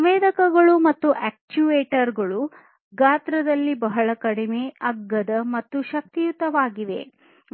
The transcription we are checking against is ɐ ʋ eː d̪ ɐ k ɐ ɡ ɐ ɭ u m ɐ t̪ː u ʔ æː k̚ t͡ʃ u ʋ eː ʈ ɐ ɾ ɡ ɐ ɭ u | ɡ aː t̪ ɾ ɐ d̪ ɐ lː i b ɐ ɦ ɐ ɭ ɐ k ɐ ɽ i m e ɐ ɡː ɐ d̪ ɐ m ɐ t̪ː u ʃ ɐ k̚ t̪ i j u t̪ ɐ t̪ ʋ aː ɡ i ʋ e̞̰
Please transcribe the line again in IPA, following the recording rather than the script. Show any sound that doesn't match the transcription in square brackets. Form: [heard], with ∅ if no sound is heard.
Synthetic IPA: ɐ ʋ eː d̪ ɐ k ɐ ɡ ɐ ɭ u m ɐ t̪ː u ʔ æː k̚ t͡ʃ u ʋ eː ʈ ɐ ɾ ɡ ɐ ɭ u | ɡ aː t̪ ɾ ɐ d̪ ɐ lː i b ɐ ɦ ɐ ɭ ɐ k ɐ ɽ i m e ɐ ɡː ɐ d̪ ɐ m ɐ t̪ː u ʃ ɐ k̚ t̪ i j u t̪ ɐ [∅] ʋ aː ɡ i ʋ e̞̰